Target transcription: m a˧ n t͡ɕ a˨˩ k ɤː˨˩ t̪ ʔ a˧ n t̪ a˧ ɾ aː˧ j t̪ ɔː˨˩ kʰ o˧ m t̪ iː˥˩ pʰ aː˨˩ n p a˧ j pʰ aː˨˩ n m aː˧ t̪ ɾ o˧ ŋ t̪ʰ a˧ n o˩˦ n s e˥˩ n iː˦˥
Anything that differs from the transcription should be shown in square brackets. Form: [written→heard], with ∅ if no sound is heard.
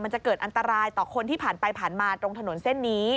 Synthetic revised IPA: m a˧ n t͡ɕ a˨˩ k ɤː˨˩ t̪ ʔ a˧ n t̪ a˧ ɾ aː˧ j t̪ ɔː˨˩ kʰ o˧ [m→n] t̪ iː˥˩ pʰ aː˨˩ n p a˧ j pʰ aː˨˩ n m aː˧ t̪ ɾ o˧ ŋ t̪ʰ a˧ n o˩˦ n s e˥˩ [n→nː] iː˦˥